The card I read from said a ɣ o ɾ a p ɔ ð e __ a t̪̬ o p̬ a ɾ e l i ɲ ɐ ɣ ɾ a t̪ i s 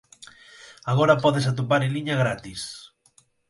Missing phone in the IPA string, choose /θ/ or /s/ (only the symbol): s